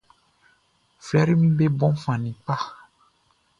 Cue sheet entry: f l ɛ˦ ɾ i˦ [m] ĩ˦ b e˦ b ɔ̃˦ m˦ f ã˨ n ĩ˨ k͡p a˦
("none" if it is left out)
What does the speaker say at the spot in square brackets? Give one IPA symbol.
m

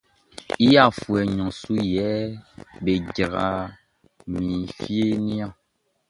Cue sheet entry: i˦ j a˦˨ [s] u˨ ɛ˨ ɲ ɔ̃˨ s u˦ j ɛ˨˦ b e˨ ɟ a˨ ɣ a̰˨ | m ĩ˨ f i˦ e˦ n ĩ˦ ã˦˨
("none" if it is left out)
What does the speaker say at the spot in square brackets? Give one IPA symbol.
f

